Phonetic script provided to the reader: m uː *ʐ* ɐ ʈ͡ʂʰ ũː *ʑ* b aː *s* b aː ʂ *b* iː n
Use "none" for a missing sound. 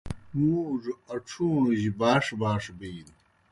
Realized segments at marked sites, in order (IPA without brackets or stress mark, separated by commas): ʐ, ʑ, ʂ, b